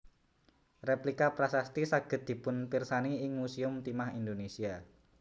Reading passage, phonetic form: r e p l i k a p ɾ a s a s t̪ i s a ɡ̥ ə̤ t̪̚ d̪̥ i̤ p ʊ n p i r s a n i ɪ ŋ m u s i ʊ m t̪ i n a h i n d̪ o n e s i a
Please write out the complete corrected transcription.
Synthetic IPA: r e p l i k a p ɾ a s a s t̪ i s a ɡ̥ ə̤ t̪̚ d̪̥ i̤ p ʊ n p i r s a n i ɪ ŋ m u s i ʊ m t̪ i m a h i n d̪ o n e s i a